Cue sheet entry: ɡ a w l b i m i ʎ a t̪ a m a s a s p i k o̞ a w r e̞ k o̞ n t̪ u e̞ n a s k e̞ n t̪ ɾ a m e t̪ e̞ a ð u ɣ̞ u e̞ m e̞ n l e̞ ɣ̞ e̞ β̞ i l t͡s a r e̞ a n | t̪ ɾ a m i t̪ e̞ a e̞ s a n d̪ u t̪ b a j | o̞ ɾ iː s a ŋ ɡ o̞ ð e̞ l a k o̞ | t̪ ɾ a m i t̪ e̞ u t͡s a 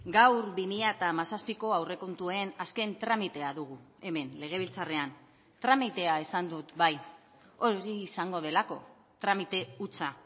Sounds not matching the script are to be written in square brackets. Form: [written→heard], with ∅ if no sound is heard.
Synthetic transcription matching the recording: ɡ a w [l→ɾ] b i m i ʎ a t̪ a m a s a s p i k o̞ a w r e̞ k o̞ n t̪ u e̞ n a s k e̞ n t̪ ɾ a m [e→i] t̪ e̞ a ð u ɣ̞ u e̞ m e̞ n l e̞ ɣ̞ e̞ β̞ i l t͡s a r e̞ a n | t̪ ɾ a m i t̪ e̞ a e̞ s a n d̪ u t̪ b a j | o̞ ɾ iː s a ŋ ɡ o̞ ð e̞ l a k o̞ | t̪ ɾ a m i t̪ e̞ u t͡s a